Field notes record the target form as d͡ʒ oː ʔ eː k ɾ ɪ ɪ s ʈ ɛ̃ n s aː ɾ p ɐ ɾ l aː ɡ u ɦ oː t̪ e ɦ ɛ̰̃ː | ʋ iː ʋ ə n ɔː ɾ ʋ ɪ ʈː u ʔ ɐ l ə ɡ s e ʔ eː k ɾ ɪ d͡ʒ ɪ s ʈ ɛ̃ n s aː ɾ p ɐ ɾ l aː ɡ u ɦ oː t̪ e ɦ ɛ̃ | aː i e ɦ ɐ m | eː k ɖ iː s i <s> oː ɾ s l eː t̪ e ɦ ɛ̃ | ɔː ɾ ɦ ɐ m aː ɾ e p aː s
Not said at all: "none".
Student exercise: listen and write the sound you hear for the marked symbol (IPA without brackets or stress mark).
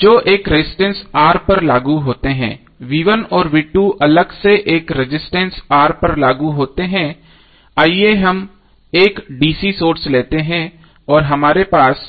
s